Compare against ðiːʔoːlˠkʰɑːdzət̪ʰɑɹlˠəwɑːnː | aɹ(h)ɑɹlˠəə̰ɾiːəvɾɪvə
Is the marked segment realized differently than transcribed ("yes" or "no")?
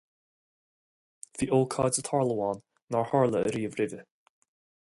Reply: no